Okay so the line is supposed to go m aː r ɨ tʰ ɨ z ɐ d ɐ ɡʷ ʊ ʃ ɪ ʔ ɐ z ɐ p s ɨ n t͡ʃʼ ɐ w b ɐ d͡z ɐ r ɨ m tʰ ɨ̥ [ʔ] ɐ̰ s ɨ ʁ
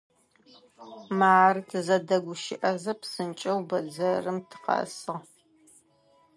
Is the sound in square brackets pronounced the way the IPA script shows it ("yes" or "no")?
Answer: no